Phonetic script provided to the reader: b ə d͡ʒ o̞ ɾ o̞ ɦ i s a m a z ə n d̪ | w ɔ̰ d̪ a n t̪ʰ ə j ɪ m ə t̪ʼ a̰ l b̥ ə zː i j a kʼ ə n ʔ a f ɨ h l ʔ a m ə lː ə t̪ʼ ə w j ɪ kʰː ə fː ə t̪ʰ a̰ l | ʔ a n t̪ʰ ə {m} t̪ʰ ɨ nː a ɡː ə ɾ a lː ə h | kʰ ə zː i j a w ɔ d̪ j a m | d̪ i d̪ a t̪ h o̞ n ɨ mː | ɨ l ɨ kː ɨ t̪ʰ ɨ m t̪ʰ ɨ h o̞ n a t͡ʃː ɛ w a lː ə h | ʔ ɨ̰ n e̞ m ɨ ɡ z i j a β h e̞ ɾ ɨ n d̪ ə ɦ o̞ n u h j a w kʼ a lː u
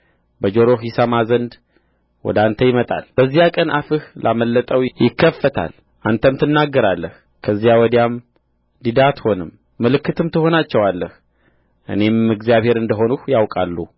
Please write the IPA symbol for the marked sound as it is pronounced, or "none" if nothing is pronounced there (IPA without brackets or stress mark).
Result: m